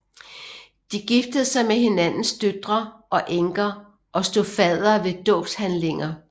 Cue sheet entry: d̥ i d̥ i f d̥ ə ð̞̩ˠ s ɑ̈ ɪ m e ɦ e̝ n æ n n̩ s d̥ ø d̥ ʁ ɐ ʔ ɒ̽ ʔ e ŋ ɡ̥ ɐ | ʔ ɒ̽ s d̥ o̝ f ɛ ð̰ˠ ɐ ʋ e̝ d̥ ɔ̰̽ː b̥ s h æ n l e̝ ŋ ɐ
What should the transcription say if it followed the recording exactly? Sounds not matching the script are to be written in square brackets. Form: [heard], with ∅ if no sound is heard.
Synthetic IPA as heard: d̥ i [ɡ̥] i f d̥ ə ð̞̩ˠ s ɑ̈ ɪ m e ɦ e̝ n æ n n̩ s d̥ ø d̥ ʁ ɐ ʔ ɒ̽ ʔ e ŋ ɡ̥ ɐ | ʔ ɒ̽ s d̥ o̝ f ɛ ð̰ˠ ɐ ʋ e̝ d̥ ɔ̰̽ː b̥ s h æ n l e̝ ŋ ɐ